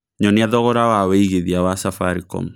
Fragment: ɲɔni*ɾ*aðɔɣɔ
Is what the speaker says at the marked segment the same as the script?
no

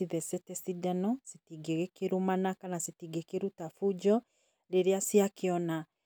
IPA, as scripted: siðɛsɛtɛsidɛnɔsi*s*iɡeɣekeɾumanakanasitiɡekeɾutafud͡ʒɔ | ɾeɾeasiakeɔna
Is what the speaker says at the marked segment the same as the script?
no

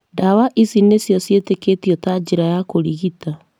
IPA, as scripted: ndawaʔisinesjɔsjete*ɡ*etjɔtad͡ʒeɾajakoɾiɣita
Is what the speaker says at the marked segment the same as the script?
no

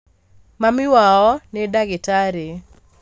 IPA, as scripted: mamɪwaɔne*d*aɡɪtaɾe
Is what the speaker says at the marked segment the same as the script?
yes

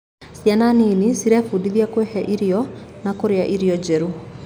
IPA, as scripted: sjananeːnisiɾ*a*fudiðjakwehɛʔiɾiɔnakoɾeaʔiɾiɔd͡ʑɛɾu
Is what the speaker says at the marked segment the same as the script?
no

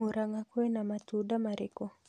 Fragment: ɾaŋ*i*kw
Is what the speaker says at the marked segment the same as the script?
no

